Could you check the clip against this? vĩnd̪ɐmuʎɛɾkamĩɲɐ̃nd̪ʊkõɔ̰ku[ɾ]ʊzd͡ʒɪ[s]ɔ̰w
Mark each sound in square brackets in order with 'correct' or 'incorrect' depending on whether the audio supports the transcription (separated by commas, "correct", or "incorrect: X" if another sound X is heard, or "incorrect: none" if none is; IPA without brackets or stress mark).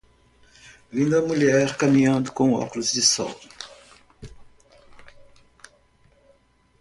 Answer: incorrect: l, correct